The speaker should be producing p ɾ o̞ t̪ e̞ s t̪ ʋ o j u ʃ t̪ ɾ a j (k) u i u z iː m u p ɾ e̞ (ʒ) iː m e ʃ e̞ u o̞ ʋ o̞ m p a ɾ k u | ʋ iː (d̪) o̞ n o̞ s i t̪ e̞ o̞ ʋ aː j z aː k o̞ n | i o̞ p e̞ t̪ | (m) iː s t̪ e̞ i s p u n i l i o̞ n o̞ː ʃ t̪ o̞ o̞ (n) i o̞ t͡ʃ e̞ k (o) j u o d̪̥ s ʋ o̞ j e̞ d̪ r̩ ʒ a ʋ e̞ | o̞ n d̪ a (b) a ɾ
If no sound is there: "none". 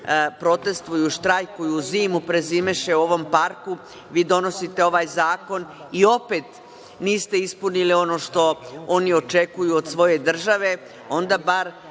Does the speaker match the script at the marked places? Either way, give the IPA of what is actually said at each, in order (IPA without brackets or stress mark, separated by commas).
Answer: k, z, d̪, n, n, u, b